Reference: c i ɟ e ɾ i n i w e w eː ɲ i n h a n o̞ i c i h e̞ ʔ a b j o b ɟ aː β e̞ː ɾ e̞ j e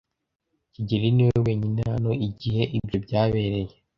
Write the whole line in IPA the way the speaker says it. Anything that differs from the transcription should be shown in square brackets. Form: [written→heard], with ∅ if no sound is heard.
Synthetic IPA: c i ɟ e ɾ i n i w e w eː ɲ i n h a n o̞ i [c→ɟ] i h e̞ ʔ [a→i] b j o b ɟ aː β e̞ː ɾ e̞ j e